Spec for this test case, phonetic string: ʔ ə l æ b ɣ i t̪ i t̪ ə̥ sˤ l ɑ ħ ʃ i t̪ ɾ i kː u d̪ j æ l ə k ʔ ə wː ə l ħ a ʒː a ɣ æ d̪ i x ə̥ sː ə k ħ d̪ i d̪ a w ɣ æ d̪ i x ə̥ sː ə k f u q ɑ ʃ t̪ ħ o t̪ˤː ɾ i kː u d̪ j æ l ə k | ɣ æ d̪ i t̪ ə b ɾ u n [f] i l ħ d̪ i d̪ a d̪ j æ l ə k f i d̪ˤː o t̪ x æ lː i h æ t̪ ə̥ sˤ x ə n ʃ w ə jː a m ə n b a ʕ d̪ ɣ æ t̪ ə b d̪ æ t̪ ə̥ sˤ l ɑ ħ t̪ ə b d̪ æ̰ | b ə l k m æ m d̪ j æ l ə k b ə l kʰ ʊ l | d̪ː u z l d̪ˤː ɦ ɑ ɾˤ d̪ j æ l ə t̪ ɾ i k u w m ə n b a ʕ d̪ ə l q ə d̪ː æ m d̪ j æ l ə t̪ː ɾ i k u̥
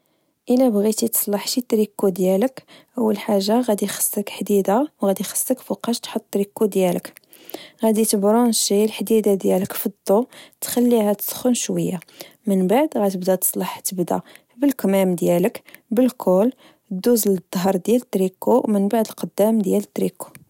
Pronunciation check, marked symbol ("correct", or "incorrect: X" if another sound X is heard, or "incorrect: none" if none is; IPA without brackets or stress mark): incorrect: ʃ